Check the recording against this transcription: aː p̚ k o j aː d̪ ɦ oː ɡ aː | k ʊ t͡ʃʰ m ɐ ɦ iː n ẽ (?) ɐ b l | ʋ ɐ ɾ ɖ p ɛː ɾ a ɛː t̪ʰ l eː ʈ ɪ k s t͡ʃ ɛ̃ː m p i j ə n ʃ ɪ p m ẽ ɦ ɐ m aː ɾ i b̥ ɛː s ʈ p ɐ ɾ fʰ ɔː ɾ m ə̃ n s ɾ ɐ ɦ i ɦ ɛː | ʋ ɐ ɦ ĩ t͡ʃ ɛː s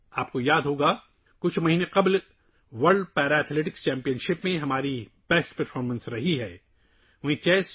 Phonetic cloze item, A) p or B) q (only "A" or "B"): B